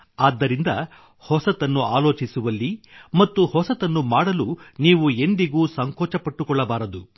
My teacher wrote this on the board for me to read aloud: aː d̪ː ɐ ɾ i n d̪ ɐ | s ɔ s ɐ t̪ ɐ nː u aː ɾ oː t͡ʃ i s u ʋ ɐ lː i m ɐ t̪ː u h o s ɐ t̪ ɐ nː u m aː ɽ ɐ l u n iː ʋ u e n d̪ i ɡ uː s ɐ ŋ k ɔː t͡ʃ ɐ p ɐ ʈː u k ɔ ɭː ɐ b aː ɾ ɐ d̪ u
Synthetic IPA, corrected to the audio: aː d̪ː ɐ ɾ i n d̪ ɐ | h ɔ s ɐ t̪ ɐ nː u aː l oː t͡ʃ i s u ʋ ɐ lː i m ɐ t̪ː u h ɔ s ɐ t̪ ɐ nː u m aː ɽ ɐ l u n iː ʋ u e n d̪ i ɡ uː s ɐ ŋ k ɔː t͡ʃ ɐ p ɐ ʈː u k ɔ ɭː ɐ b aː ɾ ɐ d̪ u